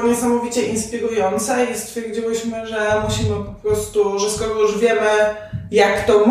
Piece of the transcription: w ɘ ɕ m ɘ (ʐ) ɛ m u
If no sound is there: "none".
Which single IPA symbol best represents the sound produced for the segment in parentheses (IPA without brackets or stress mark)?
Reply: ʐ